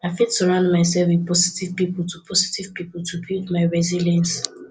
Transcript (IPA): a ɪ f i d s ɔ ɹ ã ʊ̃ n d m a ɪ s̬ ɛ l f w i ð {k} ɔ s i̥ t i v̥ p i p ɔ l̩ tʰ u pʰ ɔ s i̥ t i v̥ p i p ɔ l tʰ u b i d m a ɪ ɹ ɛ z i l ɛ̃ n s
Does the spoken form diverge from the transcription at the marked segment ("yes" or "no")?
yes